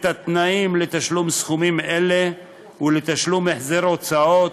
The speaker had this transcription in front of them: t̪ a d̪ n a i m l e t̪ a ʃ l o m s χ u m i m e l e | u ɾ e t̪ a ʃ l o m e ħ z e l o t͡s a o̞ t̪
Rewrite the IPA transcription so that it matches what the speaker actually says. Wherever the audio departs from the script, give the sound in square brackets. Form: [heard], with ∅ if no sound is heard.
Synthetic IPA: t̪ a [t̪] n a i m l e t̪ a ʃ l [u] m s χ u m i m e l e | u [l] e t̪ a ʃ l [u] m e ħ z e [ɾ] o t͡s a o̞ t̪